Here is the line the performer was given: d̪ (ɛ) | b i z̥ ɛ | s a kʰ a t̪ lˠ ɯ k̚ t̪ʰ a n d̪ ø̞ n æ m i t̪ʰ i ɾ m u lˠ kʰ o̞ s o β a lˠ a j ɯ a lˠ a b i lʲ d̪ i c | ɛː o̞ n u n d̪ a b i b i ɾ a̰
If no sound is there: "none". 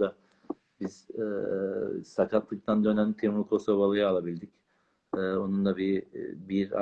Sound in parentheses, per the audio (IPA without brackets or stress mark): a